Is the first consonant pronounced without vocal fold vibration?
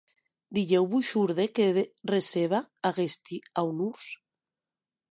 no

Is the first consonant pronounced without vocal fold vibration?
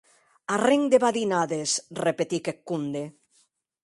no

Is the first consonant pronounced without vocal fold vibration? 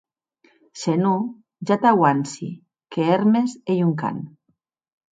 yes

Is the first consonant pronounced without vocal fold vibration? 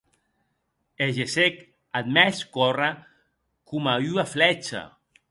no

